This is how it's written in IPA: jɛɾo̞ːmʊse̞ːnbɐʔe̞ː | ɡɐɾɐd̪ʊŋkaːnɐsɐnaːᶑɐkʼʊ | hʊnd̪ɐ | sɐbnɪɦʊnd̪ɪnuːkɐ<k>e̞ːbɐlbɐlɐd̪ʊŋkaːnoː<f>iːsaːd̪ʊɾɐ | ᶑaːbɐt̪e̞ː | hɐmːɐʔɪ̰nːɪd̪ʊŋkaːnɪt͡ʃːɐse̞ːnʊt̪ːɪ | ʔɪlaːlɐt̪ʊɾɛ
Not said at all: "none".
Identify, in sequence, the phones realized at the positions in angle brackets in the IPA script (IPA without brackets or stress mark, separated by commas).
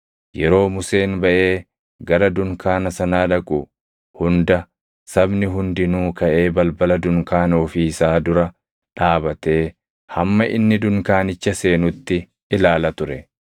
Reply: ʔ, f